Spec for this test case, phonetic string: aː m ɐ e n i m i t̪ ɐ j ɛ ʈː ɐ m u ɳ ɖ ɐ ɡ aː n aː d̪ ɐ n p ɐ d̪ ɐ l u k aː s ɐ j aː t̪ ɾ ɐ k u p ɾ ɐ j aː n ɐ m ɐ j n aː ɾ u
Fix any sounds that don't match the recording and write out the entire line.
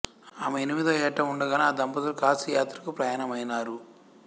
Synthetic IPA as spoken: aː m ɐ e n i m i d̪ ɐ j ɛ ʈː ɐ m u ɳ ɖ ɐ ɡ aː n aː d̪ ɐ m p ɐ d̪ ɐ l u k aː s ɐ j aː t̪ ɾ ɐ k u p ɾ ɐ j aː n ɐ m ɐ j n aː ɾ u